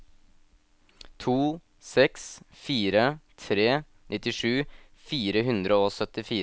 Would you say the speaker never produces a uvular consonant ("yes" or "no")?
yes